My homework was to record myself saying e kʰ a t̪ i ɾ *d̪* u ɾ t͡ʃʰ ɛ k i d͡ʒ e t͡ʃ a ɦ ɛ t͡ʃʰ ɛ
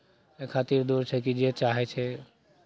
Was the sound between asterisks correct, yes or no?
yes